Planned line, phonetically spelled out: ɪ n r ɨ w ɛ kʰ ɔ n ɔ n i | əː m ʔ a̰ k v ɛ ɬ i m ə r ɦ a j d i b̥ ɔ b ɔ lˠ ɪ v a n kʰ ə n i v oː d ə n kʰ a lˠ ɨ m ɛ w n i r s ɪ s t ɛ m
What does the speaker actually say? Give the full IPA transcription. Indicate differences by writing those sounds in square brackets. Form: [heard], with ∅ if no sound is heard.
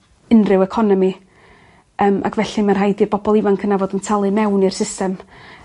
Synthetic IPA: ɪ n r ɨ w ɛ kʰ ɔ n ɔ [m] i | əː m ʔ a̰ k v ɛ ɬ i m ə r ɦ a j d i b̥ ɔ b ɔ lˠ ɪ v a n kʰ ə n [a] v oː d ə n [tʰ] a lˠ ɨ m ɛ w n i r s ɪ s t ɛ m